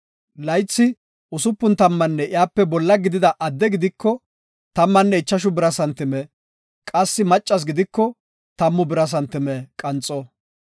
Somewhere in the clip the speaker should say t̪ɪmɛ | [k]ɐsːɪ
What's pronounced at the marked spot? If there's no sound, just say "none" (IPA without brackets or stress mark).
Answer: kʼ